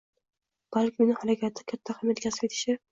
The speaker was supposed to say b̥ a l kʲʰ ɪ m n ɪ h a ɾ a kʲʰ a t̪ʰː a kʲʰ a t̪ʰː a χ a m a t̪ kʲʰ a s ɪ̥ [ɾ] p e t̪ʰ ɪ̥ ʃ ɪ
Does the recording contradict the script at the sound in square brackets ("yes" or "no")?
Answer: yes